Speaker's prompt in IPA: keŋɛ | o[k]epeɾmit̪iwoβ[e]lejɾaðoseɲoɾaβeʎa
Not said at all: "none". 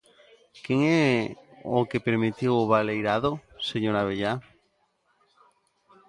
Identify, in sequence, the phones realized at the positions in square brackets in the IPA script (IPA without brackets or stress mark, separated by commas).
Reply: k, a